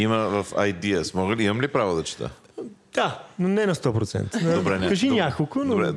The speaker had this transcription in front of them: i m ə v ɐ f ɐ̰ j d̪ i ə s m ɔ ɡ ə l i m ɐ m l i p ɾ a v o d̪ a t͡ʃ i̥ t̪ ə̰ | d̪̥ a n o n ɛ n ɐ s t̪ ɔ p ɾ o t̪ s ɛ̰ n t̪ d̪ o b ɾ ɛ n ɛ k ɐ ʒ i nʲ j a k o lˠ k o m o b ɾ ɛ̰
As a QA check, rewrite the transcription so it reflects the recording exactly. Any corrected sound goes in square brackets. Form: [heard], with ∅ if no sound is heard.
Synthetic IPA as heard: i m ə v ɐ f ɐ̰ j d̪ i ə s m ɔ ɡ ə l i m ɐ m l i p ɾ a v o d̪ [ɐ] t͡ʃ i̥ t̪ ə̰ | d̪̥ a n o n ɛ n ɐ s t̪ ɔ p ɾ o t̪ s ɛ̰ n t̪ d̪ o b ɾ ɛ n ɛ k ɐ ʒ i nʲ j a k o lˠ k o [n] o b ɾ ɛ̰